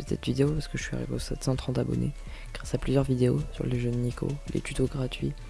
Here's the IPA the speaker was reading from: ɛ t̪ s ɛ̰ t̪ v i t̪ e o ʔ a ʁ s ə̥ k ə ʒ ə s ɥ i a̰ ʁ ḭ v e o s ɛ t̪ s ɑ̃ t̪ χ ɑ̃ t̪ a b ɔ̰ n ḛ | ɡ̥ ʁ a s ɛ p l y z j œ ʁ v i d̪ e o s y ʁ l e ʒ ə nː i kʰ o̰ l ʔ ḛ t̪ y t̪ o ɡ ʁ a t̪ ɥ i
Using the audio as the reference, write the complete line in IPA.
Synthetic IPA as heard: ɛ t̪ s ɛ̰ t̪ v i d̪ e o p a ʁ s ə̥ k ə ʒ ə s ɥ i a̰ ʁ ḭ v e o s ɛ t̪ s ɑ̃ t̪ χ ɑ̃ t̪ a b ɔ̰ n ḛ | ɡ̥ ʁ a s a p l y z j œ ʁ v i d̪ e o s y ʁ l e ʒ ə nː i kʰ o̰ l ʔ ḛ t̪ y t̪ o ɡ ʁ a t̪ ɥ i